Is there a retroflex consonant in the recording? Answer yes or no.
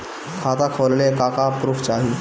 no